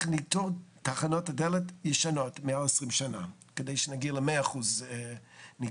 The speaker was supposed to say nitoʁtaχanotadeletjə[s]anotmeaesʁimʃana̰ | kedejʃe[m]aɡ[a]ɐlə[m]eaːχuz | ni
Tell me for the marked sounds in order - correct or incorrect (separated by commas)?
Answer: incorrect, incorrect, incorrect, correct